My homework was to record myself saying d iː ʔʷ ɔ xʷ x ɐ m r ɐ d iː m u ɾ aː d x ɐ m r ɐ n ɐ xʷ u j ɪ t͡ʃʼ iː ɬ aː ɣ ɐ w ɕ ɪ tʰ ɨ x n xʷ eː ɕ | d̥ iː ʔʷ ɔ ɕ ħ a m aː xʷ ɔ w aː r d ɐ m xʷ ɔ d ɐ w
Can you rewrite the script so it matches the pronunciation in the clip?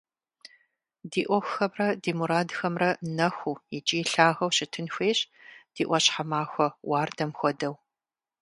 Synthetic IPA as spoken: d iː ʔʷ ɔ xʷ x ɐ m r ɐ d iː m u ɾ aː d x ɐ m r ɐ n ɐ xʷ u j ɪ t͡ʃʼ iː ɬ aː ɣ ɐ w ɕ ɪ tʰ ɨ n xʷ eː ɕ | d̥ iː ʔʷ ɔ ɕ ħ a m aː xʷ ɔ w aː r d ɐ m xʷ ɔ d ɐ w